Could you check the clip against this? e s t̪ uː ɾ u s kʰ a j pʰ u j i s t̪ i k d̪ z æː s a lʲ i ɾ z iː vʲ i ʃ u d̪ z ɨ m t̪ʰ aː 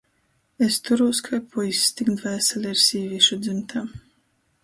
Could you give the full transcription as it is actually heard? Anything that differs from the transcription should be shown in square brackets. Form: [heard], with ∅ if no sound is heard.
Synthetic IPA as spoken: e s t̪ [u] ɾ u s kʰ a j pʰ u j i s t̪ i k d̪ [v] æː s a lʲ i ɾ [s] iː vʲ i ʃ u d̪ z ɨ m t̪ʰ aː